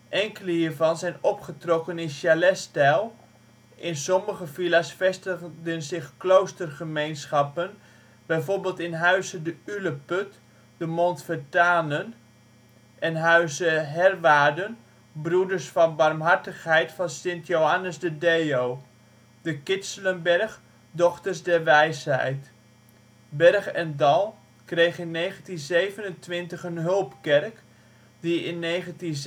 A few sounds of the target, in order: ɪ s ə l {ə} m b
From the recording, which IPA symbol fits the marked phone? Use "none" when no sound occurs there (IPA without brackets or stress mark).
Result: ə